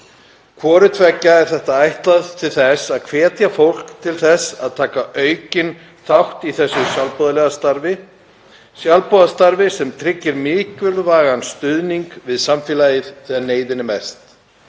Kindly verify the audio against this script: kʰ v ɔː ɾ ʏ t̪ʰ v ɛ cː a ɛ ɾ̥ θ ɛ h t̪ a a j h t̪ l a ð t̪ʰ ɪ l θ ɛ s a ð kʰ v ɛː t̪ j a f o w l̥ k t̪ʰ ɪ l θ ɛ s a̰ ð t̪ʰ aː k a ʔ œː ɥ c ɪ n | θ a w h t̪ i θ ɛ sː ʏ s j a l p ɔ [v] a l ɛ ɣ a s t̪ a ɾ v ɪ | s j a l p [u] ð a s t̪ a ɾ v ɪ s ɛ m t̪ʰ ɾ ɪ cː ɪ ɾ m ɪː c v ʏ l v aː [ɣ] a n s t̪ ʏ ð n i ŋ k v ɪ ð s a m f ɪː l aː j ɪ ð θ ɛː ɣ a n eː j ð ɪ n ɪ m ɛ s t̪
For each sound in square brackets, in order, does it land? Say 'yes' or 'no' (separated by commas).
no, no, yes